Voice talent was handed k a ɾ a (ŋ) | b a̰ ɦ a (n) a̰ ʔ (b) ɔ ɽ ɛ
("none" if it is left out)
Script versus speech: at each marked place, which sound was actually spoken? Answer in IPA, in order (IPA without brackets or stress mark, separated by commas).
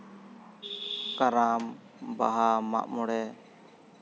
m, m, m